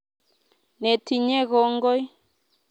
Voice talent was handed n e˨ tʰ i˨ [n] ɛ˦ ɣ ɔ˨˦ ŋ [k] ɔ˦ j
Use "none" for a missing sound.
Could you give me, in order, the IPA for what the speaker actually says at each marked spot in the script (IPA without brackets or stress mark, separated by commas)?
ɲ, ɡ